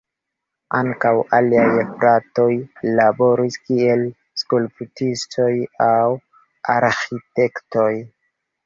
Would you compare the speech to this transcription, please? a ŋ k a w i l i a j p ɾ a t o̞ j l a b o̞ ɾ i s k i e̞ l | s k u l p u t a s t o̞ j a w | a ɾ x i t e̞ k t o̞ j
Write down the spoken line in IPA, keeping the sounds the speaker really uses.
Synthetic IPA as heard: a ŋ k a w a l i a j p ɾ a t o̞ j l a b o̞ ɾ i s k i e̞ l | s k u l p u t i s t o̞ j a w | a ɾ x i t e̞ k t o̞ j

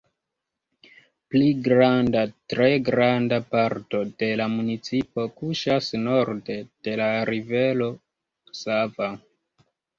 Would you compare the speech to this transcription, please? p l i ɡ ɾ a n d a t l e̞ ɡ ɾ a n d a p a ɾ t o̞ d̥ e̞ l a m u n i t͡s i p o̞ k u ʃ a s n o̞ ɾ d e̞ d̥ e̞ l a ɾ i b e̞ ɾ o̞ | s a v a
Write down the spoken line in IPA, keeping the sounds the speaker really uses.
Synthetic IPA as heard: p l i ɡ ɾ a n d a t ɾ e̞ ɡ ɾ a n d a p a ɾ t o̞ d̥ e̞ l a m u n i t͡s i p o̞ k u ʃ a s n o̞ ɾ d e̞ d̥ e̞ l a ɾ i v e̞ l o̞ | s a v a

